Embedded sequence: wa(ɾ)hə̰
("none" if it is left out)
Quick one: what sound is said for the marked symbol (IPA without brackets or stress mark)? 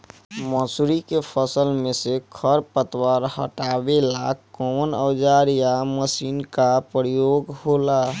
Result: ɾ